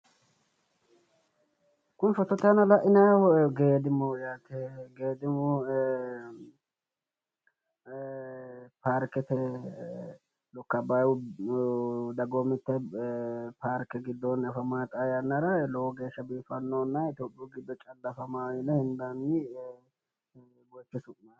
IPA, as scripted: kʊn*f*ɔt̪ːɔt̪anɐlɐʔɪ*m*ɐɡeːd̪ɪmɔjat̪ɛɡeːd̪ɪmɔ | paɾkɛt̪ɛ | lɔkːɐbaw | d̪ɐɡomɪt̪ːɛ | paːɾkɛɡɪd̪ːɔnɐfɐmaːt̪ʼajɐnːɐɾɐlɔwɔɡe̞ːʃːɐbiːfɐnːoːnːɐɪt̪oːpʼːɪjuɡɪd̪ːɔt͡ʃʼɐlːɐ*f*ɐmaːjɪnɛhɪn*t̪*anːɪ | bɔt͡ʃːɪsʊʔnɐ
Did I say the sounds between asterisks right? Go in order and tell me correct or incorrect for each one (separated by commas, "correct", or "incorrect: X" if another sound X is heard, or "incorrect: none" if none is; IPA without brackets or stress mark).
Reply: correct, incorrect: n, correct, incorrect: d̪